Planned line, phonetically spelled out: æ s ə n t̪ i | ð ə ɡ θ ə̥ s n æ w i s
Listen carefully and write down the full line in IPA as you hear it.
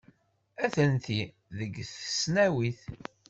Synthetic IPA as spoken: æ θ ə n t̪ i | ð ə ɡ θ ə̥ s n æ w i θ

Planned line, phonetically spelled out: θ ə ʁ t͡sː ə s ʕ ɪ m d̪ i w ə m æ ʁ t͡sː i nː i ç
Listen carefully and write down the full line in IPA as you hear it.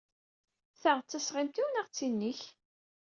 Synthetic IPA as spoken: θ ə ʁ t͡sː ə s ʁ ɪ m t̪ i w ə n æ ʁ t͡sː i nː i ç

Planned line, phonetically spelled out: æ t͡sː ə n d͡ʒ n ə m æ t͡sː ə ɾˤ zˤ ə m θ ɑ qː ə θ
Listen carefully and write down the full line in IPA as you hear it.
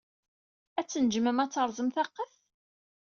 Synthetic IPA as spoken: æ t͡sː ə n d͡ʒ m ə m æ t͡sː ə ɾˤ zˤ ə m θ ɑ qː ə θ

